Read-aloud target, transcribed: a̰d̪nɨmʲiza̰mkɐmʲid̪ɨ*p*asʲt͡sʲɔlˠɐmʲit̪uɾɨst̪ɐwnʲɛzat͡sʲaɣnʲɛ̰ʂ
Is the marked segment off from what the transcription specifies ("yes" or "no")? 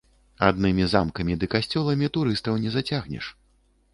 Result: yes